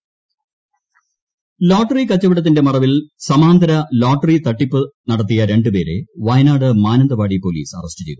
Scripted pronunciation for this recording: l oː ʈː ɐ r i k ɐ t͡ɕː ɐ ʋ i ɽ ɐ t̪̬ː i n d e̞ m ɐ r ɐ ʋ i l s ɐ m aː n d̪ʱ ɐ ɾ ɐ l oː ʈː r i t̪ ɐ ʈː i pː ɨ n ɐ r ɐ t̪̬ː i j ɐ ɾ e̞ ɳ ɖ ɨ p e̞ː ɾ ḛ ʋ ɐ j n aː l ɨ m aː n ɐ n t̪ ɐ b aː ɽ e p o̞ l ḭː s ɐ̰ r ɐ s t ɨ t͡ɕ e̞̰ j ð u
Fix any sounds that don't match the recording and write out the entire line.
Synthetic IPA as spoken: l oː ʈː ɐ r i k ɐ t͡ɕː ɐ ʋ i ɽ ɐ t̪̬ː i n d e̞ m ɐ r ɐ ʋ i l s ɐ m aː n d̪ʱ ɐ ɾ ɐ l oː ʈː r i t̪ ɐ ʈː i pː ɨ n ɐ ɽ ɐ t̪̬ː i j ɐ ɾ e̞ ɳ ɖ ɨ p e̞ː ɾ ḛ ʋ ɐ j n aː ɽ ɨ m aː n ɐ n d̪ ɐ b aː ɽ i p o̞ l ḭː s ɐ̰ r ɐ s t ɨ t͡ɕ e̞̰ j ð u

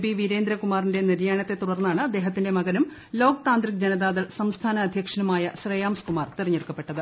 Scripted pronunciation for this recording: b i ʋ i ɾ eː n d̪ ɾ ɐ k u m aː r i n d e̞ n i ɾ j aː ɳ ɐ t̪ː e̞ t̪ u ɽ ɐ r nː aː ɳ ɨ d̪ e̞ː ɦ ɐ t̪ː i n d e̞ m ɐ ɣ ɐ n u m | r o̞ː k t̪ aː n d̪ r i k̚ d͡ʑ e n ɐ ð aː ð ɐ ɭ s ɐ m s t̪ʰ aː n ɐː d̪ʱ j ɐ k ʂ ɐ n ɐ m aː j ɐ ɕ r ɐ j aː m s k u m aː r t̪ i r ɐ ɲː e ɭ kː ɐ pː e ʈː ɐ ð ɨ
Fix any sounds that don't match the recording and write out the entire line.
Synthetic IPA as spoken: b i ʋ i ɾ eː n d̪ ɾ ɐ k u m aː r i n d e̞ n i ɾ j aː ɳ ɐ t̪ː e̞ t̪ u ɽ ɐ r nː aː ɳ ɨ d̪ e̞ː ɦ ɐ t̪ː i n d e̞ m ɐ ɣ ɐ n u m | l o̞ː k t̪ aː n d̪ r i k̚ d͡ʑ e n ɐ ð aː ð ɐ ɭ s ɐ m s t̪ʰ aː n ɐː d̪ʱ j ɐ k ʂ ɐ n ɐ m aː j ɐ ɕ r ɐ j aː m s k u m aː r t̪ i r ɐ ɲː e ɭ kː ɐ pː e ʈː ɐ ð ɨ

